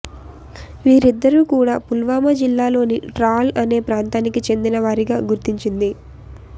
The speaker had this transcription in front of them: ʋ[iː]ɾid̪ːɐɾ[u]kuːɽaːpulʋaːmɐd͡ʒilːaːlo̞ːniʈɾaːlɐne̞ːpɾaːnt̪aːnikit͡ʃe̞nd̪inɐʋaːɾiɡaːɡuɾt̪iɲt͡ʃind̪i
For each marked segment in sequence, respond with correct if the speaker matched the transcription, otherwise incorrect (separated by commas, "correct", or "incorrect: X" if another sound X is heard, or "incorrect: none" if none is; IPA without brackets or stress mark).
correct, incorrect: uː